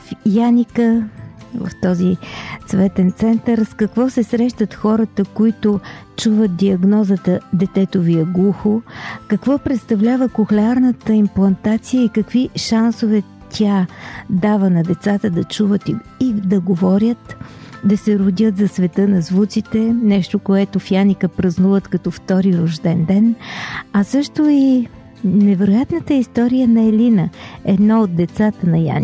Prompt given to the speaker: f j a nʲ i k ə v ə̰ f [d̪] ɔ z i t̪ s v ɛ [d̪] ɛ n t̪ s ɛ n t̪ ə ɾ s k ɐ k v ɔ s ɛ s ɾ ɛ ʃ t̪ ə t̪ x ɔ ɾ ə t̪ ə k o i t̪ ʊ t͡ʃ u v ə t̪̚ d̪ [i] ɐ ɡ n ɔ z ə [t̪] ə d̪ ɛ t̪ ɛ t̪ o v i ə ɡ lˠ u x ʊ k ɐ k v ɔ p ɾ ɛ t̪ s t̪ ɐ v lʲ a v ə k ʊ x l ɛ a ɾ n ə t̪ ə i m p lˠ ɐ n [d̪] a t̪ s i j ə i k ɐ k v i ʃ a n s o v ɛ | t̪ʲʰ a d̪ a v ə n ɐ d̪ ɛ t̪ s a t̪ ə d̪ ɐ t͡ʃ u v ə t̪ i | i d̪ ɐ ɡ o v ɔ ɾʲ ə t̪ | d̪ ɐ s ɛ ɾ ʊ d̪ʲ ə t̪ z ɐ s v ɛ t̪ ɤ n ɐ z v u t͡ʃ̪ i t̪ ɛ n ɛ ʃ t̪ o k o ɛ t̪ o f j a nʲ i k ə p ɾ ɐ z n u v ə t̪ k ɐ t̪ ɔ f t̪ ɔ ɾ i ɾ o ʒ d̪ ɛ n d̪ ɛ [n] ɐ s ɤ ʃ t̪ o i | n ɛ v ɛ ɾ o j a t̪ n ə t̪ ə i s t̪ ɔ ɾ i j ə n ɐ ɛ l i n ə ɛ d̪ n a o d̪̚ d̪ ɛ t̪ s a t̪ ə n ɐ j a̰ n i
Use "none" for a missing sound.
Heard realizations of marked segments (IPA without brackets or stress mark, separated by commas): t̪, t̪, i, t̪, t̪, n